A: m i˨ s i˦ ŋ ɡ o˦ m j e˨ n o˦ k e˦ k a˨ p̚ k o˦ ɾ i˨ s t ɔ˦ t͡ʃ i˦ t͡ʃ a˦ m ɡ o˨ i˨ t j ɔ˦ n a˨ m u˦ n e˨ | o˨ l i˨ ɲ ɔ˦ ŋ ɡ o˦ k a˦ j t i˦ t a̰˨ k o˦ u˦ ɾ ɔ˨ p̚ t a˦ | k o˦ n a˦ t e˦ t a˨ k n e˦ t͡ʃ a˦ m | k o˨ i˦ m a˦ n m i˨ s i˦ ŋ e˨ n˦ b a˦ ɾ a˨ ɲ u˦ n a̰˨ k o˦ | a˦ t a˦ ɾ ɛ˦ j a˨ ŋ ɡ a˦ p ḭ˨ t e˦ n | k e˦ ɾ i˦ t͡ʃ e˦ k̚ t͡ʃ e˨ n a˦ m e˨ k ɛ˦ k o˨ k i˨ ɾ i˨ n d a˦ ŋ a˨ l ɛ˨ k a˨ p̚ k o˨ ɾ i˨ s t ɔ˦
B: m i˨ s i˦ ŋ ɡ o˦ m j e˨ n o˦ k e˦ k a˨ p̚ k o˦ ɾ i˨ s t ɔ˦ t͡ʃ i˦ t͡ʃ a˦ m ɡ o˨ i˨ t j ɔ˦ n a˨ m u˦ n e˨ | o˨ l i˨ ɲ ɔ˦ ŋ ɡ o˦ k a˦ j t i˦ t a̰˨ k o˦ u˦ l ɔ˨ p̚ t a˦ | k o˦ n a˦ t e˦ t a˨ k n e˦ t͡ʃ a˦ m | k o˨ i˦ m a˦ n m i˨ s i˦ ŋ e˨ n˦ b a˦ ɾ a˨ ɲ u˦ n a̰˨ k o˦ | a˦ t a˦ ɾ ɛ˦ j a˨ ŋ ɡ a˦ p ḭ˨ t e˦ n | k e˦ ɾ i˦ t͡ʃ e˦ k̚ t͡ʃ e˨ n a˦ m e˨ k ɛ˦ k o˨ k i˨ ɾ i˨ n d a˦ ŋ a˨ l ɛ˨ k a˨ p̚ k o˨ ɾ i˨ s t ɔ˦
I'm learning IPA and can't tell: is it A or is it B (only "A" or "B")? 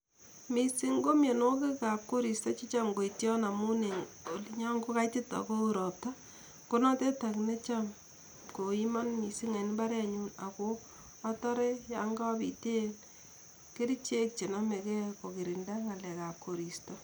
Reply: A